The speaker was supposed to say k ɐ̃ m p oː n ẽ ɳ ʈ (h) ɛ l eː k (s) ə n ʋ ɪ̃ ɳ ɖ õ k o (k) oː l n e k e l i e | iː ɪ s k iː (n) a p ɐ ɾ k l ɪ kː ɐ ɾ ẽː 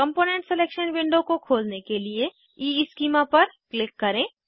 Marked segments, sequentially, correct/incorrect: incorrect, incorrect, incorrect, incorrect

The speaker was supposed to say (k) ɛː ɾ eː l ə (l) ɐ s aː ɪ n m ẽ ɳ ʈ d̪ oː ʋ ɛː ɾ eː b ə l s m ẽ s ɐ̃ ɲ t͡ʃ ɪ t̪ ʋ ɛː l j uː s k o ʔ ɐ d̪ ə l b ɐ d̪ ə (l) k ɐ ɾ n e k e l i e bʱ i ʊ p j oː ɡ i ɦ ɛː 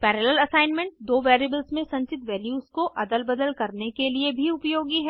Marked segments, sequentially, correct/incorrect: incorrect, correct, correct

